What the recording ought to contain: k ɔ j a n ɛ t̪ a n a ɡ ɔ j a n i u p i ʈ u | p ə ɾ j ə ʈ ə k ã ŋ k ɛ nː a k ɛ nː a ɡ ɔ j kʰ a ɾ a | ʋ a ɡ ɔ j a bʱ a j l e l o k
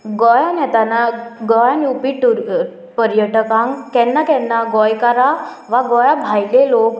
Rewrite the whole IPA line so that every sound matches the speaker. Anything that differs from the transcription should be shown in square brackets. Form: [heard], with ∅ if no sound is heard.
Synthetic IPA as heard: [ɡ] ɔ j a n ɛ t̪ a n a ɡ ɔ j a n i u p i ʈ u | p ə ɾ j ə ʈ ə k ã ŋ k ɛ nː a k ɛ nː a ɡ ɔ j [k] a ɾ a | ʋ a ɡ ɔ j a bʱ a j l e l o k